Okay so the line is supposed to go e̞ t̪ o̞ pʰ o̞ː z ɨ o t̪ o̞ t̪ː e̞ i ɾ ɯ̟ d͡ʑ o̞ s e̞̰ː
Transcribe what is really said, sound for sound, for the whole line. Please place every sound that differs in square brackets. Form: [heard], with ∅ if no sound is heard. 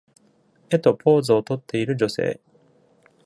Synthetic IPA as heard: e̞ t̪ o̞ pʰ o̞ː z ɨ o t̪ o̞ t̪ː e̞ i ɾ ɯ̟ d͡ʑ o̞ s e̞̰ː

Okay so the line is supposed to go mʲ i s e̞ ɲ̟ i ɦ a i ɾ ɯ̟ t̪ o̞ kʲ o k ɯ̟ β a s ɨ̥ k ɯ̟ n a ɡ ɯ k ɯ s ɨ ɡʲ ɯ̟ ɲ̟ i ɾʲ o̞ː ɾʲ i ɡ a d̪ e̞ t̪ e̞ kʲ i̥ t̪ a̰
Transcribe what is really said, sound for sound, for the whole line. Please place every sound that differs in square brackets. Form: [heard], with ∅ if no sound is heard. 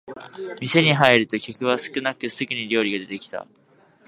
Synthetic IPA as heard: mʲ i s e̞ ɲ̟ i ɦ a i ɾ ɯ̟ t̪ o̞ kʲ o k ɯ̟ β a s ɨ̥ k ɯ̟ n a [k] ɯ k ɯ s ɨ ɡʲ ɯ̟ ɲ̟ i ɾʲ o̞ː ɾʲ i ɡ a d̪ e̞ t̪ e̞ kʲ i̥ t̪ a̰

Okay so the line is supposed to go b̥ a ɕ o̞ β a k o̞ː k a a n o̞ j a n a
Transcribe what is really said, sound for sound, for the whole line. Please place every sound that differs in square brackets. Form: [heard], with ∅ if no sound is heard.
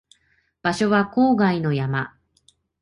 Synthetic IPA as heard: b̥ a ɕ o̞ β a k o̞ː [ɡ] a [i] n o̞ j a [m] a

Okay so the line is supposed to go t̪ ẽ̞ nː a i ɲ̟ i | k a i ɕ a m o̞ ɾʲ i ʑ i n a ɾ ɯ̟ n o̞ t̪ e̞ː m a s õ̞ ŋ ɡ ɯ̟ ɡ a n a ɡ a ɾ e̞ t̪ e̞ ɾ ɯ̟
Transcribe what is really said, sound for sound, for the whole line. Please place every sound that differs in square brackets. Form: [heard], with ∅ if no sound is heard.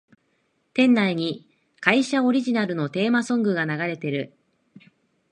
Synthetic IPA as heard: t̪ ẽ̞ nː a i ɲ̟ i | k a i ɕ a [∅] o̞ ɾʲ i ʑ i n a ɾ ɯ̟ n o̞ t̪ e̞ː m a s õ̞ ŋ ɡ ɯ̟ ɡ a n a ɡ a ɾ e̞ t̪ e̞ ɾ ɯ̟

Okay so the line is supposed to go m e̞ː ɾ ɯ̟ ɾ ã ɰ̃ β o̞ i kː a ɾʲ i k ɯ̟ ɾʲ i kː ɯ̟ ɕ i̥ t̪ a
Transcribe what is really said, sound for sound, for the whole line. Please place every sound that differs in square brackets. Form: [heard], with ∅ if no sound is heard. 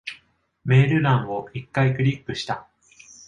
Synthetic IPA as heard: m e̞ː ɾ ɯ̟ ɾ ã ɰ̃ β o̞ i kː a [∅] i k ɯ̟ ɾʲ i kː ɯ̟ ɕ i̥ t̪ a

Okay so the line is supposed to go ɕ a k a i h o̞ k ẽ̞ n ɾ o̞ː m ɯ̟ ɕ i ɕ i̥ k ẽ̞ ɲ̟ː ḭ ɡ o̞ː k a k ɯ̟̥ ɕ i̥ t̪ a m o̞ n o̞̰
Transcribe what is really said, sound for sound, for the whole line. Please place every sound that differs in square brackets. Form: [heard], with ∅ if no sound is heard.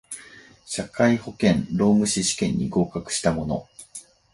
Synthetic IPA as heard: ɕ a k a i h o̞ k ẽ̞ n ɾ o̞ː m ɯ̟ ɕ i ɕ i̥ k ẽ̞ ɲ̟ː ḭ ɡ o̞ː k a k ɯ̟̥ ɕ i̥ t̪ a m o̞ n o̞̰

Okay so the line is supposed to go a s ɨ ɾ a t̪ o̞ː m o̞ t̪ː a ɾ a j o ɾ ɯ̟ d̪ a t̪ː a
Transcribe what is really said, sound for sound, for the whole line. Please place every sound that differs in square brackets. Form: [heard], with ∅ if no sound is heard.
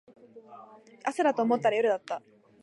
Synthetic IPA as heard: a s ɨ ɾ a t̪ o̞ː m o̞ t̪ː a ɾ a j o ɾ ɯ̟ d̪ a t̪ː a

